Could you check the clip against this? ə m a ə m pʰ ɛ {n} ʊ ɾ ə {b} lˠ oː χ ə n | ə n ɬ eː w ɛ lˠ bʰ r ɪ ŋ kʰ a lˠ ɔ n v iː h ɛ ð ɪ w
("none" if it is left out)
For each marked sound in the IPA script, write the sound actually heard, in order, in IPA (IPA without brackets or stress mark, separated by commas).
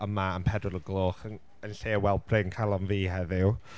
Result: d, ɡ